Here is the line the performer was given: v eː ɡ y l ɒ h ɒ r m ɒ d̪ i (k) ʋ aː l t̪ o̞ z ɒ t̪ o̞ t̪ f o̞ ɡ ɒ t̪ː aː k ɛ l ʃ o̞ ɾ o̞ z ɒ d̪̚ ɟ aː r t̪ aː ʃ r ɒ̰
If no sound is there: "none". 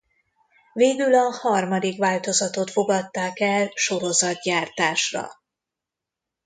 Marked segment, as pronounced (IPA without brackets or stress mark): k